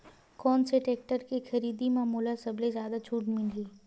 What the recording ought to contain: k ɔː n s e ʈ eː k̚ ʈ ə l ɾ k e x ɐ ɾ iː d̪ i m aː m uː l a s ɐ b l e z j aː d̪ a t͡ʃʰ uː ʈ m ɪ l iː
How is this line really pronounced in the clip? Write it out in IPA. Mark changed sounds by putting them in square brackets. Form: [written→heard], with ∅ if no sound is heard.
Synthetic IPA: k ɔː n s e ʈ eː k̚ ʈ ə [l→∅] ɾ k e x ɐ ɾ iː d̪ i m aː m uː l a s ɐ b l e z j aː d̪ a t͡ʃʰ uː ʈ m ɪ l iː